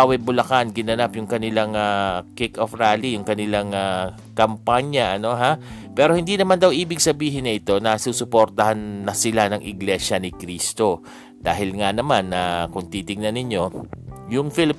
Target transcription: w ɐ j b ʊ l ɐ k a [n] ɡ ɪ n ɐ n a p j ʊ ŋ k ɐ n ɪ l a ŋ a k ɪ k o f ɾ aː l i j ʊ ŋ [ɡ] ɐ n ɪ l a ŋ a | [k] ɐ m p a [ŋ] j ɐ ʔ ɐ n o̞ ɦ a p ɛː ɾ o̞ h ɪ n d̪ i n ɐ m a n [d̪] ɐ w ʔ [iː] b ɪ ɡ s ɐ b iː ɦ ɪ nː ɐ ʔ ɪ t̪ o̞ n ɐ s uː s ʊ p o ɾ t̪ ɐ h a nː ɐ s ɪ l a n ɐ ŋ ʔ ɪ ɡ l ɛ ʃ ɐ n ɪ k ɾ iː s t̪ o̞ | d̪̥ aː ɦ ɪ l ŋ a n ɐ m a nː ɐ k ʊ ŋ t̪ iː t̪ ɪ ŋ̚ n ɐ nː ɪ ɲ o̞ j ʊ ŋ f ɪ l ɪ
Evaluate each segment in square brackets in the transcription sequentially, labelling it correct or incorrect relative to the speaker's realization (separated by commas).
correct, incorrect, correct, incorrect, correct, correct